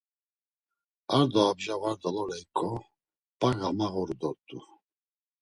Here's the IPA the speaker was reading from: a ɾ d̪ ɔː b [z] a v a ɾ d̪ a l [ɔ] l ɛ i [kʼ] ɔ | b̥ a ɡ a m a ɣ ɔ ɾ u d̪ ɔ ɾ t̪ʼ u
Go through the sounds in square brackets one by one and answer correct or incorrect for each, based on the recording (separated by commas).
incorrect, correct, correct